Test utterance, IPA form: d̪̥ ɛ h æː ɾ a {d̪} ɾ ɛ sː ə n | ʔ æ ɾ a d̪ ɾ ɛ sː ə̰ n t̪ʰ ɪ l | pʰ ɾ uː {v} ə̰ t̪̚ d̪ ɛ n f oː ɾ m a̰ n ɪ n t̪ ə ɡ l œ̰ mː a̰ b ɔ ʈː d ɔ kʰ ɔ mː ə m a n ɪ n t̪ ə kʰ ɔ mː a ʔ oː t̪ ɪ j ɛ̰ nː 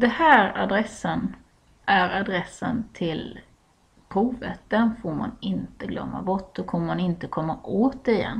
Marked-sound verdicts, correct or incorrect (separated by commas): correct, correct